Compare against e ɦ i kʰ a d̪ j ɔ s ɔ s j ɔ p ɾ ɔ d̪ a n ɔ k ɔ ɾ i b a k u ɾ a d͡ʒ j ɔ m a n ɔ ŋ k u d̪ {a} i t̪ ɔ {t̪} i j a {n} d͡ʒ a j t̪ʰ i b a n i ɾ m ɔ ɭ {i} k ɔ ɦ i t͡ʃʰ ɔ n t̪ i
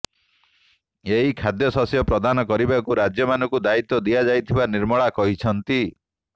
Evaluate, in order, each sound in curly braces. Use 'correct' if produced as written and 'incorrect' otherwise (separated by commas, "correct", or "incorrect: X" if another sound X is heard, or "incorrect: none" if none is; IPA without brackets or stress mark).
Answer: correct, incorrect: d̪, incorrect: none, incorrect: a